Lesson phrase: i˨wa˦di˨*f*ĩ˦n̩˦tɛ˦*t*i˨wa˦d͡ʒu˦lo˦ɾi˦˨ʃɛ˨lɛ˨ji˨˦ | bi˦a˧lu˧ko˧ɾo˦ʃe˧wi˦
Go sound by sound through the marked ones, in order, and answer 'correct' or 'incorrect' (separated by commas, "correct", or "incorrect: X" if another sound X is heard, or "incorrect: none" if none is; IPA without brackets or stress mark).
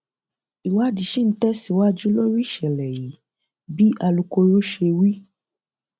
incorrect: ʃ, incorrect: s